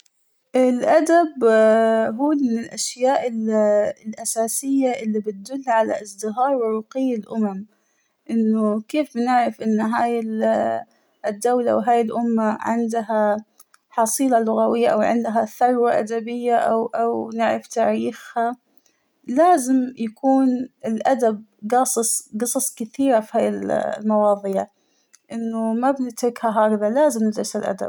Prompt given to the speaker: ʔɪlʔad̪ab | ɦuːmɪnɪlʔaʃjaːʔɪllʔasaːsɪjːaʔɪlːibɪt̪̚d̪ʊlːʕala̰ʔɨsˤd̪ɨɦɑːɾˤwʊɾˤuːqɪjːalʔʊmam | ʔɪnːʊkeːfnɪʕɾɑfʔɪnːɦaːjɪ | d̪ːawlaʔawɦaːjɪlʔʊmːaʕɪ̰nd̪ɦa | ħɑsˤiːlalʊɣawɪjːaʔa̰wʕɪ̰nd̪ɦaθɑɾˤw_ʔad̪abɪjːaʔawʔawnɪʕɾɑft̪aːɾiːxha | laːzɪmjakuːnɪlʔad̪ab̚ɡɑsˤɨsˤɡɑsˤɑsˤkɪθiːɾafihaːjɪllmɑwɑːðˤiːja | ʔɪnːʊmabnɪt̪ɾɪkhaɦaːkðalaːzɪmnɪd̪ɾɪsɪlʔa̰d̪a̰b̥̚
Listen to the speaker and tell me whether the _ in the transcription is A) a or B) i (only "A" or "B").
A